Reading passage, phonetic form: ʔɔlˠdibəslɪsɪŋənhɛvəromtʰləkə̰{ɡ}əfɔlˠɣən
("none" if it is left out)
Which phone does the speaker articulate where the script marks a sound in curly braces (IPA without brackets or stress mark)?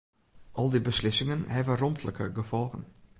ɡ